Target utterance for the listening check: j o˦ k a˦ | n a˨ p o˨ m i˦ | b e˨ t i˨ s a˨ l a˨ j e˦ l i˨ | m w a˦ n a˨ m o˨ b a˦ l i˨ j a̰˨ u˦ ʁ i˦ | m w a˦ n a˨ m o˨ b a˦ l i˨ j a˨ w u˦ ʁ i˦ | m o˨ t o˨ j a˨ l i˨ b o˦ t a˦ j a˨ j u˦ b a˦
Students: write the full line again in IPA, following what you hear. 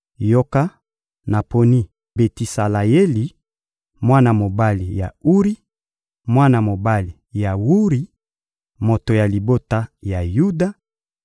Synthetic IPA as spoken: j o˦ k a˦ | n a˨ p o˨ n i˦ | b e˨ t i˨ s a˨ l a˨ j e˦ l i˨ | m w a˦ n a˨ m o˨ b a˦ l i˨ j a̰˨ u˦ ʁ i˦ | m w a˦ n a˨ m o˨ b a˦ l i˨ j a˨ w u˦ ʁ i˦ | m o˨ t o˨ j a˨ l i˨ b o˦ t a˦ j a˨ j u˦ d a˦